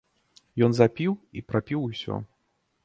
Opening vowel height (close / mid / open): mid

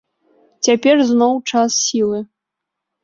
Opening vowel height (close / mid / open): open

